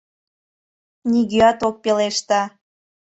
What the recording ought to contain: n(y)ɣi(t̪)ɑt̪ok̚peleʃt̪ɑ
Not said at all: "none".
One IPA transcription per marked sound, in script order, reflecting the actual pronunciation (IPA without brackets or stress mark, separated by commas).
i, none